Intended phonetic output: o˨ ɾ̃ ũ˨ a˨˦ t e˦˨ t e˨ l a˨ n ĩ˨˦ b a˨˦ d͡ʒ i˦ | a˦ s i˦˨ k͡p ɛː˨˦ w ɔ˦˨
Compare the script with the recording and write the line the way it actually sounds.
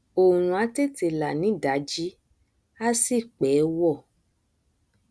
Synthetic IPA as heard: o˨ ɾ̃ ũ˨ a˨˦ t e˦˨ t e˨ l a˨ n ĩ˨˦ d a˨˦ d͡ʒ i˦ | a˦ s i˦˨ k͡p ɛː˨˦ w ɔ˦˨